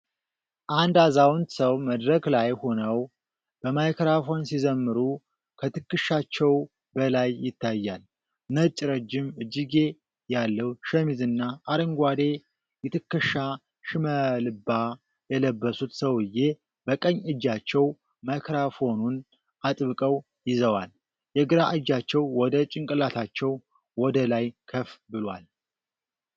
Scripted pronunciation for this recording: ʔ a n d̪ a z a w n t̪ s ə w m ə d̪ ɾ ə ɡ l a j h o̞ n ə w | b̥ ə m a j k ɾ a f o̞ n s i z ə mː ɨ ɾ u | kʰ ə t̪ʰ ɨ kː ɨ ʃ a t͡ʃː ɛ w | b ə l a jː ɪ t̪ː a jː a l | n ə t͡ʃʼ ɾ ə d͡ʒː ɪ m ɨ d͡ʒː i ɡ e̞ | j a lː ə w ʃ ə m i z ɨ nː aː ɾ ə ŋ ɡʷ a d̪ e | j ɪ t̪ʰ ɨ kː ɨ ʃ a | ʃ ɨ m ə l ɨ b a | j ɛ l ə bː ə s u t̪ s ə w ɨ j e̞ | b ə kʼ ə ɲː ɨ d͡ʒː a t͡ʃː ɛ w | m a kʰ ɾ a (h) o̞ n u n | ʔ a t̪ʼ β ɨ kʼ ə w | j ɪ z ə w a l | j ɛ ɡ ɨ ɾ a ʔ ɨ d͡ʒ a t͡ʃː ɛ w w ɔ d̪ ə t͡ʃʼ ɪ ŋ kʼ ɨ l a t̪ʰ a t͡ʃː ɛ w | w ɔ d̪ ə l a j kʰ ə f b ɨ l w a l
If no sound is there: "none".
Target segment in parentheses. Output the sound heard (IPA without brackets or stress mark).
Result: f